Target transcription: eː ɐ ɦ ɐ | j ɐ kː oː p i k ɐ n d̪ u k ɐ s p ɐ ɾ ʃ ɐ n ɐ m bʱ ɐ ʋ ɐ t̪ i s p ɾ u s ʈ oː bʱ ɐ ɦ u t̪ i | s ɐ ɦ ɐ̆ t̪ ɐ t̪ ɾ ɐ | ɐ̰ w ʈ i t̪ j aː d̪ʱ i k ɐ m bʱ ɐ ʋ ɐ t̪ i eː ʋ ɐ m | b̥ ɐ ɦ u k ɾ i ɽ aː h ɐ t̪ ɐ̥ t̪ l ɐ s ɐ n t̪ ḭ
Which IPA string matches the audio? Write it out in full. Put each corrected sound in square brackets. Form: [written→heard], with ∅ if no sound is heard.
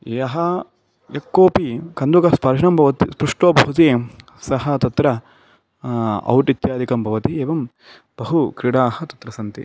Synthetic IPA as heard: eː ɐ ɦ ɐ | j ɐ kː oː p i k ɐ n d̪ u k ɐ s p ɐ ɾ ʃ ɐ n ɐ m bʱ ɐ ʋ ɐ t̪ i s p ɾ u [s→ʂ] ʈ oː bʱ ɐ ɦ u t̪ i | s ɐ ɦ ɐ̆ t̪ ɐ t̪ ɾ ɐ | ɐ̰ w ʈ i t̪ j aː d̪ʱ i k ɐ m bʱ ɐ ʋ ɐ t̪ i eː ʋ ɐ m | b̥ ɐ ɦ u k ɾ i ɽ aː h ɐ t̪ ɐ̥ t̪ [l→ɾ] ɐ s ɐ n t̪ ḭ